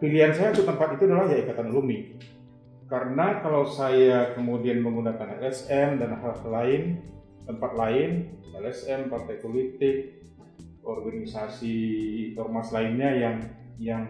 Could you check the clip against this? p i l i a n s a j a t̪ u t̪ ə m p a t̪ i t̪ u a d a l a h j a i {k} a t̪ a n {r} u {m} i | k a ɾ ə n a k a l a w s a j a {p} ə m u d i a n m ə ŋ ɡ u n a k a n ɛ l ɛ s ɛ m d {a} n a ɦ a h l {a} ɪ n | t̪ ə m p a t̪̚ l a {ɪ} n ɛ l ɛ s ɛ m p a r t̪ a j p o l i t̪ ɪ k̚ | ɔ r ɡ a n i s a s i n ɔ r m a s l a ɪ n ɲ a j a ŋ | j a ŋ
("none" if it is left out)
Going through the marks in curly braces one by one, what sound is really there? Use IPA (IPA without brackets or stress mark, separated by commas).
k, l, m, k, a, a, ɪ